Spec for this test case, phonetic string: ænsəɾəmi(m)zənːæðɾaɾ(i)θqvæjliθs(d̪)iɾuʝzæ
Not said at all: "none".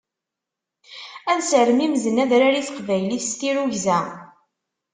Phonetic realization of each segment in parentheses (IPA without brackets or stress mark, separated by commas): m, i, t̪